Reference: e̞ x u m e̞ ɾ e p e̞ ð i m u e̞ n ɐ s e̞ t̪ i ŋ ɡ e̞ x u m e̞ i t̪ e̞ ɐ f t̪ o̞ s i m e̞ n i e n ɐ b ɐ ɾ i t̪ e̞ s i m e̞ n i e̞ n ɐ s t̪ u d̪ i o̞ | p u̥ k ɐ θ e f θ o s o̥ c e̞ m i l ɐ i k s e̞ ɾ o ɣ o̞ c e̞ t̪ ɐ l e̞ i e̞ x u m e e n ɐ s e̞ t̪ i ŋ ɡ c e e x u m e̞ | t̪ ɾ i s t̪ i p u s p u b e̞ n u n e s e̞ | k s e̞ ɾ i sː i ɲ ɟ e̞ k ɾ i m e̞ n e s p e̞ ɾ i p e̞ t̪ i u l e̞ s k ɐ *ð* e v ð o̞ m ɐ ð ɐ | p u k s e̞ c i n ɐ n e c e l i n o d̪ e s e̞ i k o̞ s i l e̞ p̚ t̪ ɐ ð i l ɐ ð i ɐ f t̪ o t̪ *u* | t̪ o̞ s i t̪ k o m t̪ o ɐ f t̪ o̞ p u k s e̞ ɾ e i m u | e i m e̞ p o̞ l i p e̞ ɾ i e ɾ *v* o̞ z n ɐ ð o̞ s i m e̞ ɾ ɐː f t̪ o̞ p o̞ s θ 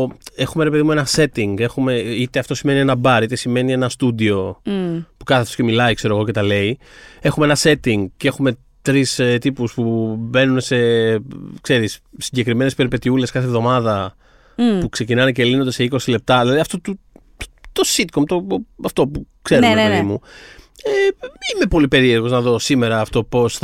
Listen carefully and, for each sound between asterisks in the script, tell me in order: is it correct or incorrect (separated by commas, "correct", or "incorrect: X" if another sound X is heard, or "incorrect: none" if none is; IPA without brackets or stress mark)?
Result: incorrect: θ, correct, incorrect: ɣ